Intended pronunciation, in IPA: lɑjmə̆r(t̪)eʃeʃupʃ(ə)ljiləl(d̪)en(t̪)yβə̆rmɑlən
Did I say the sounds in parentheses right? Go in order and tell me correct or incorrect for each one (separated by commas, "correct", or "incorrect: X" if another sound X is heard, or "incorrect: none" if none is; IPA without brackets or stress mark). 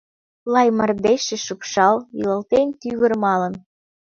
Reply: incorrect: d̪, incorrect: ɑ, incorrect: t̪, correct